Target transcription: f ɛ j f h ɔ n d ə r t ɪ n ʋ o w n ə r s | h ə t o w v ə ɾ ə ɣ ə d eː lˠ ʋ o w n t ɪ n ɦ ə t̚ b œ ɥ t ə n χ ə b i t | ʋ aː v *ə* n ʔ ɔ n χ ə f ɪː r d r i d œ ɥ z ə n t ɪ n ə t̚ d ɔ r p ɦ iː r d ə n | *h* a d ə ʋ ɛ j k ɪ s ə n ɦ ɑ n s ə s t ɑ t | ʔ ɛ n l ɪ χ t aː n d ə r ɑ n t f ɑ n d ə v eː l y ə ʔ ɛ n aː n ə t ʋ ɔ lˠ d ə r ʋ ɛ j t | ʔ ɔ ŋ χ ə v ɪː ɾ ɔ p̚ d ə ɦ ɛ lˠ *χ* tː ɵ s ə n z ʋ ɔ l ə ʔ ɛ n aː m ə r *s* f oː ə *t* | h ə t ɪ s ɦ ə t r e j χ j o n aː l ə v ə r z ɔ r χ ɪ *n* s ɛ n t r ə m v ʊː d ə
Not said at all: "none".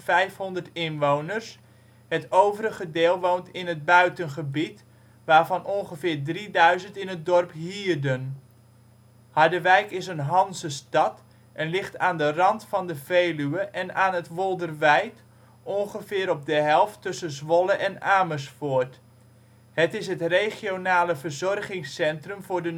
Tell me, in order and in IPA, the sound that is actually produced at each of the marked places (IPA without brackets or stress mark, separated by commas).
ɑ, h, f, s, t, ŋ